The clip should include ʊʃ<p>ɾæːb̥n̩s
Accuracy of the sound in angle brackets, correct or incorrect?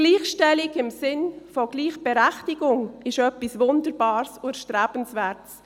incorrect